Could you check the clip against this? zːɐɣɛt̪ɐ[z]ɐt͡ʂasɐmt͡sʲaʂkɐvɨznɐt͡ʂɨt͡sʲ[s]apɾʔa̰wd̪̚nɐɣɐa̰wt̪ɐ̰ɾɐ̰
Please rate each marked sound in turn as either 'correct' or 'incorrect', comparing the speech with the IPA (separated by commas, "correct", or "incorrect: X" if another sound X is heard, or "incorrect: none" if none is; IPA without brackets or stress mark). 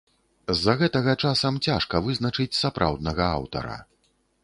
incorrect: ɣ, correct